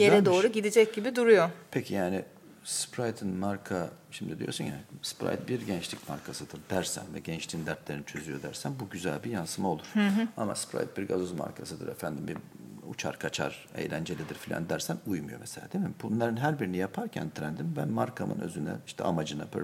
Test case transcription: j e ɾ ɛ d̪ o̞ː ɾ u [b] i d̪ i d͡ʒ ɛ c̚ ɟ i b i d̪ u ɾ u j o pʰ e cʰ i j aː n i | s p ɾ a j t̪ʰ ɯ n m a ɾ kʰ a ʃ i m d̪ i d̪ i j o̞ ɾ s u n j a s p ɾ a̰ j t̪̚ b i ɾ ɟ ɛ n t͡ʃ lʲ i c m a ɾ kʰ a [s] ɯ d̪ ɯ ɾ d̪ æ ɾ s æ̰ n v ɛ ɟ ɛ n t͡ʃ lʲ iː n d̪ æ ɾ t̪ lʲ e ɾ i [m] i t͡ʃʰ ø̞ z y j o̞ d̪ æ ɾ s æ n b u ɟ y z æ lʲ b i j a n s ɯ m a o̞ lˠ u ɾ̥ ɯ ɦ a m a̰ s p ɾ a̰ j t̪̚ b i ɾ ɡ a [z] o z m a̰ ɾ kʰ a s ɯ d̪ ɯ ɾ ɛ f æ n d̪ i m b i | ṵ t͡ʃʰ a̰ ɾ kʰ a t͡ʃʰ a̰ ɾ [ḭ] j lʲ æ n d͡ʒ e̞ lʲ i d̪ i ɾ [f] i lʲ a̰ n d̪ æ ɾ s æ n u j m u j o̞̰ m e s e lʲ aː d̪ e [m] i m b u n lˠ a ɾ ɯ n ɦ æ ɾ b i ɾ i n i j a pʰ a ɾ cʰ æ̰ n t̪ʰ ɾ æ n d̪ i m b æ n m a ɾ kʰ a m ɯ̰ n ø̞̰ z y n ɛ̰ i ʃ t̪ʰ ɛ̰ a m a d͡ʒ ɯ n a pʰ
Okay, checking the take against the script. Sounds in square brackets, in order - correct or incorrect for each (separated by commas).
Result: incorrect, correct, incorrect, correct, incorrect, correct, correct